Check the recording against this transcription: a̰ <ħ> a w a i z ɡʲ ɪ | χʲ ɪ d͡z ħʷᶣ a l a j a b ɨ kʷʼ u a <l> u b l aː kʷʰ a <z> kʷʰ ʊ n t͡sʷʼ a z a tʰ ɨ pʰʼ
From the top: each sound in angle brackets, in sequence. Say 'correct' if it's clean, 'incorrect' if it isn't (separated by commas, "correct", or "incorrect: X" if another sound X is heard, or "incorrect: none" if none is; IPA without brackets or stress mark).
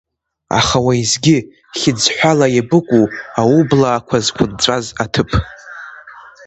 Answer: incorrect: χ, incorrect: none, correct